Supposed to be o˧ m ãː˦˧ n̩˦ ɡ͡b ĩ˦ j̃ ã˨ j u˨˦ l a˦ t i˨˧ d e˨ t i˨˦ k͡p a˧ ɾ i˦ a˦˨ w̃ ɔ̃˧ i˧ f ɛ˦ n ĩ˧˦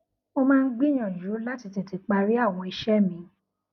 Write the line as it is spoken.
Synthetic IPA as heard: o˧ m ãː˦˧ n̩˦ ɡ͡b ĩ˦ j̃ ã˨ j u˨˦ l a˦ t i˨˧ t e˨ t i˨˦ k͡p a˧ ɾ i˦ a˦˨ w̃ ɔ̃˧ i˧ ʃ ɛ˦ m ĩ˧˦